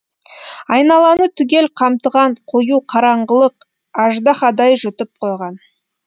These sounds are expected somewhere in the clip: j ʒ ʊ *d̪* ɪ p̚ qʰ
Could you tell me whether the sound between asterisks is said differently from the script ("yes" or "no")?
yes